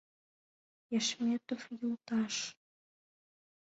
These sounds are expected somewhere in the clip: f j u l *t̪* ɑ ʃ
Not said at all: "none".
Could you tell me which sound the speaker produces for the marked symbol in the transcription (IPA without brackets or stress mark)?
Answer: t̪